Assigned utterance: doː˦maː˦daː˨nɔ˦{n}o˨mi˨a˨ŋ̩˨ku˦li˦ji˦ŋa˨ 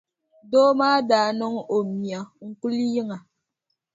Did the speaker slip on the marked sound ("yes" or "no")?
yes